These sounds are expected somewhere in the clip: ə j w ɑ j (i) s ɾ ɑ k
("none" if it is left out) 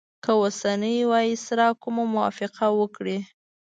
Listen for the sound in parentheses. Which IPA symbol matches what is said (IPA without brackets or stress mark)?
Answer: i